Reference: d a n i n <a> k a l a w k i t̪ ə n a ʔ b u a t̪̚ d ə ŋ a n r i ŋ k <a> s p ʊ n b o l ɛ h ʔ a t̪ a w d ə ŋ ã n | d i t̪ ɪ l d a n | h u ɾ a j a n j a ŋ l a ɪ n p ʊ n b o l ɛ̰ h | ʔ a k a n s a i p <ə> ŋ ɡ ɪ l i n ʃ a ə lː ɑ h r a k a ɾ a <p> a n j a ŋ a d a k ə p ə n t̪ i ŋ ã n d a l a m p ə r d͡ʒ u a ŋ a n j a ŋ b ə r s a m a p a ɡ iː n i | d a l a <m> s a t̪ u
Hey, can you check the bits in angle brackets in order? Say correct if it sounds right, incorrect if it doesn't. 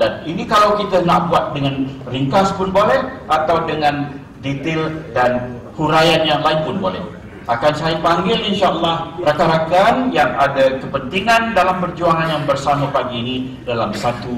incorrect: i, correct, incorrect: a, incorrect: k, correct

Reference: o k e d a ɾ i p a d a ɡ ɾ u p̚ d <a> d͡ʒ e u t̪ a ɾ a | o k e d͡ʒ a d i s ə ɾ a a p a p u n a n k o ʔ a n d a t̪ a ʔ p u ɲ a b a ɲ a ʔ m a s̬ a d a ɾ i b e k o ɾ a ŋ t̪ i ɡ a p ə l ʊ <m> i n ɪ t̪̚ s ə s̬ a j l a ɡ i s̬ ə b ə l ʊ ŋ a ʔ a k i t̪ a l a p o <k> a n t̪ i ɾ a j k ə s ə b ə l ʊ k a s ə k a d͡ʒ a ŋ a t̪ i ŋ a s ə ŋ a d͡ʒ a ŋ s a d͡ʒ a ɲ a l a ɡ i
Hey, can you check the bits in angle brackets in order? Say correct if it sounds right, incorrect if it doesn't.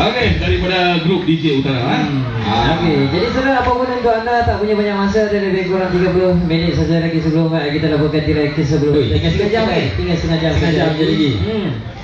incorrect: i, correct, correct

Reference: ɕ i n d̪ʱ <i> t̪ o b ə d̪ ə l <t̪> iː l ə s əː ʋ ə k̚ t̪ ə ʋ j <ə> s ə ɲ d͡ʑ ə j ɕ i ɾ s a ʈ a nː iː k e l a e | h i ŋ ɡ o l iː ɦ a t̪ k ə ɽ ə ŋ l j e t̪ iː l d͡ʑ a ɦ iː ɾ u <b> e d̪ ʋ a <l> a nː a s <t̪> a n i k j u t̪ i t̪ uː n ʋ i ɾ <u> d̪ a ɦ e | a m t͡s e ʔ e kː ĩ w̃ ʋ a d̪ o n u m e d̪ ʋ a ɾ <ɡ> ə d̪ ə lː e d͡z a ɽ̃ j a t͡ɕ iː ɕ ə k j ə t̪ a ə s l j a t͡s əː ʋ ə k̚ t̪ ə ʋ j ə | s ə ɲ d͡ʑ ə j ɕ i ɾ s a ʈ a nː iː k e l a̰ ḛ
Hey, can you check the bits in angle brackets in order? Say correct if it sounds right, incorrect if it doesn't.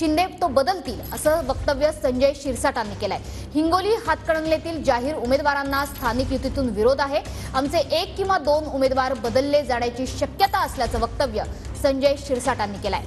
incorrect: e, correct, correct, incorrect: m, incorrect: ɾ, incorrect: t̪ʰ, incorrect: o, incorrect: b

